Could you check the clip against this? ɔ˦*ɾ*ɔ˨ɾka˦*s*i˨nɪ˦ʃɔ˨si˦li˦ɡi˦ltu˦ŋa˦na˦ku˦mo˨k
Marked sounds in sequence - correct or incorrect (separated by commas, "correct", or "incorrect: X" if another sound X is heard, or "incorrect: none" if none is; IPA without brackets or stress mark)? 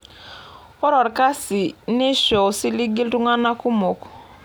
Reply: correct, correct